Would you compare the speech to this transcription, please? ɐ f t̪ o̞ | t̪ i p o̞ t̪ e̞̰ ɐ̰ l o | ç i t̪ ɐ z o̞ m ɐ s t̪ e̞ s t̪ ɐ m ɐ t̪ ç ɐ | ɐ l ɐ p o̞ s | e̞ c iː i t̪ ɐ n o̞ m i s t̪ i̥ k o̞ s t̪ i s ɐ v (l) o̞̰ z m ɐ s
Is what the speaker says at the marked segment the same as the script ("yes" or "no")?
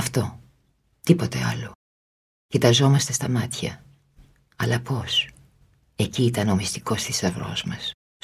no